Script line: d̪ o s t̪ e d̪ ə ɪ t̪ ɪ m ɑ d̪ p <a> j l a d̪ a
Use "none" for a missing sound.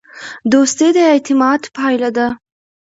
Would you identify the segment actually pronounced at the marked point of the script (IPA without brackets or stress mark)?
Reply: ɑ